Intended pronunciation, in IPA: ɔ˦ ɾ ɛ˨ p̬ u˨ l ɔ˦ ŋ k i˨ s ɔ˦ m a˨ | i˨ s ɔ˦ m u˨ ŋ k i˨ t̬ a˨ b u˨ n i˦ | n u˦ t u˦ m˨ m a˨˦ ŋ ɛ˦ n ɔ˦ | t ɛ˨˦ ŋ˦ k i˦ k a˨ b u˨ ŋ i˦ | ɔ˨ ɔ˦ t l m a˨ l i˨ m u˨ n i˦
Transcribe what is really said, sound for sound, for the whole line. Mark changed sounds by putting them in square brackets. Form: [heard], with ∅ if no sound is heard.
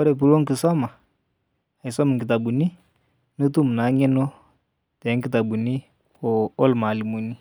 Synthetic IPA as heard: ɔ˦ ɾ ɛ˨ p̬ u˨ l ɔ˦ ŋ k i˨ s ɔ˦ m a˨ | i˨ s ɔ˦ m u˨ ŋ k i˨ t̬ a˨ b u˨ n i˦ | n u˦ t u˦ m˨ [n] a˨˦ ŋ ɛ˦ n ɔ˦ | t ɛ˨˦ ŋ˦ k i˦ [t] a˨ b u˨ [n] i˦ | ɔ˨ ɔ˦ [∅] l m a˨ l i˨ m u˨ n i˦